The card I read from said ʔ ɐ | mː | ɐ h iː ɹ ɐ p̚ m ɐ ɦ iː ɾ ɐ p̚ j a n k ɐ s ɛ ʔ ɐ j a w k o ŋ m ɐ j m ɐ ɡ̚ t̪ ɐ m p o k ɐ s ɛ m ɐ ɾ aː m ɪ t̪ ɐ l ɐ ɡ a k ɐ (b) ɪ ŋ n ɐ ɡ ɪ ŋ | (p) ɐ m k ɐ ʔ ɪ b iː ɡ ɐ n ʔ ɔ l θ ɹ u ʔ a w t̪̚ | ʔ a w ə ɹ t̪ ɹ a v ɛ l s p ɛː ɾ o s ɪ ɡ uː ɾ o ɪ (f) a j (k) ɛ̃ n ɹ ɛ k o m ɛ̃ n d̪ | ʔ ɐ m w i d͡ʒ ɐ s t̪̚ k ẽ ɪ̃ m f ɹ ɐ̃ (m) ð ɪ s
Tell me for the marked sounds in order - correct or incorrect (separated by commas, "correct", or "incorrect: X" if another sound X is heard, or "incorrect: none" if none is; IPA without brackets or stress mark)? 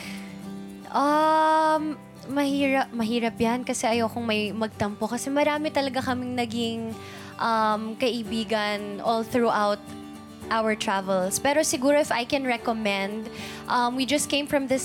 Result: incorrect: m, incorrect: ʔ, correct, correct, correct